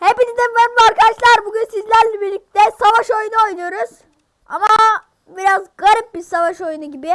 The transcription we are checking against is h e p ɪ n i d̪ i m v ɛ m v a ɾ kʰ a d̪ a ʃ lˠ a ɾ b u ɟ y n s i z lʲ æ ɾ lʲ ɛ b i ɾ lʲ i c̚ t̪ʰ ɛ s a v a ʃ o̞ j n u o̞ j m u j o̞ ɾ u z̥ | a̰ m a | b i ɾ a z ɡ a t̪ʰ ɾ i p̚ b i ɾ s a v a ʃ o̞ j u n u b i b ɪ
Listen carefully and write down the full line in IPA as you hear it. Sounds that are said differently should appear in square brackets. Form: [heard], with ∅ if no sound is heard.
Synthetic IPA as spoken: h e p [i] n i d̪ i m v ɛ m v a ɾ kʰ a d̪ a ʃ lˠ a ɾ b u ɟ y n s i z lʲ æ ɾ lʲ ɛ b i ɾ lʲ i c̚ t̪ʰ ɛ s a v a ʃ o̞ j n u o̞ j [n] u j o̞ ɾ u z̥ | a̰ m a | b i ɾ a z ɡ a [∅] ɾ i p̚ b i ɾ s a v a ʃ o̞ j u n u [ɟ] i b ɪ